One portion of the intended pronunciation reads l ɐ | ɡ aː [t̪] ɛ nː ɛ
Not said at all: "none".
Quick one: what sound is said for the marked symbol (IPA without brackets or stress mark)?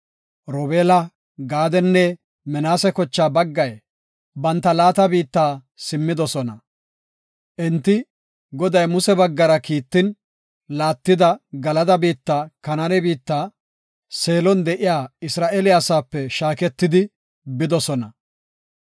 d̪